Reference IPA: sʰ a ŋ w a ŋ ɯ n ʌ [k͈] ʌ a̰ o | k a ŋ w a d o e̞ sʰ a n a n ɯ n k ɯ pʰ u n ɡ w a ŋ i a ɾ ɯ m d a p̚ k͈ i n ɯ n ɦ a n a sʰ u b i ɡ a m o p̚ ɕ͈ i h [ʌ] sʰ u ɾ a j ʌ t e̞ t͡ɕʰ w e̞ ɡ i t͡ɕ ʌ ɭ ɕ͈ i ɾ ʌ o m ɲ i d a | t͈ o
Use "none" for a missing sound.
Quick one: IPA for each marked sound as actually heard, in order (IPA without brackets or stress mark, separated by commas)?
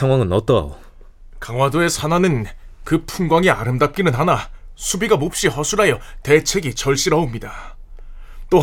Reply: t͈, ʌ